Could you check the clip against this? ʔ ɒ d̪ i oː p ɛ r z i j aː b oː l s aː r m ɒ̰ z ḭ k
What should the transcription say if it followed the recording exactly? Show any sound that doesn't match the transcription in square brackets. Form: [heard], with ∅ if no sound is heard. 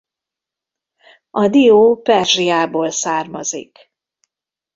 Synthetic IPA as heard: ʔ ɒ d̪ i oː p ɛ r [ʒ] i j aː b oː l s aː r m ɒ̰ z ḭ k